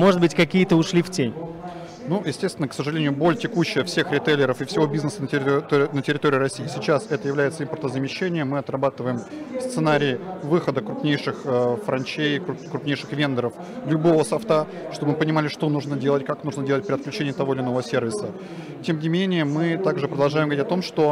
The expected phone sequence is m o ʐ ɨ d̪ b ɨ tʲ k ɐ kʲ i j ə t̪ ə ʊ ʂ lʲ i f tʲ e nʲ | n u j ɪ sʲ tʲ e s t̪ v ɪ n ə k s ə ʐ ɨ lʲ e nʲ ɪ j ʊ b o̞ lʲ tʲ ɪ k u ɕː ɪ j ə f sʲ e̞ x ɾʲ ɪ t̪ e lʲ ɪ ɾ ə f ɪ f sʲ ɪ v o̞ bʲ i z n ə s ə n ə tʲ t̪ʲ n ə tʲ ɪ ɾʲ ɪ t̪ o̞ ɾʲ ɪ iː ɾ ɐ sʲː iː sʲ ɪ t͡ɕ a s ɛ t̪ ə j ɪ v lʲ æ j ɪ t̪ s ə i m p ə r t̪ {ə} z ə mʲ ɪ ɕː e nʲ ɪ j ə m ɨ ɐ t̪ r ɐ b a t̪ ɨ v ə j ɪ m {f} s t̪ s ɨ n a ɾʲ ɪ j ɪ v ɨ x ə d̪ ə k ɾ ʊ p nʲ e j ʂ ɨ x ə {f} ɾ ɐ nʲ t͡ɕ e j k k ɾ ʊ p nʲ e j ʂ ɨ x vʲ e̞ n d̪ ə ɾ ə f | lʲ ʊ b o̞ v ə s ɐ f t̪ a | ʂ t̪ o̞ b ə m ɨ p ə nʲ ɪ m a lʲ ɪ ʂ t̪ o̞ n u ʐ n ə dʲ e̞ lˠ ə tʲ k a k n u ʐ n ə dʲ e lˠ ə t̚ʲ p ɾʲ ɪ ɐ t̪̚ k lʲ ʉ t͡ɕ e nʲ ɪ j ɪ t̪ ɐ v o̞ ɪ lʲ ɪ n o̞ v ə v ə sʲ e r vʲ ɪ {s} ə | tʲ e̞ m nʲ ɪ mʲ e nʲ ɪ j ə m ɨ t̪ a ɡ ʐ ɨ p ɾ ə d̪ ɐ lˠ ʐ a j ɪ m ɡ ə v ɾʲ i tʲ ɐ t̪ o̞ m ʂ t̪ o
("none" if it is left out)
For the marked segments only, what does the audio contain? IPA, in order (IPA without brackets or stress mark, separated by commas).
ə, f, f, s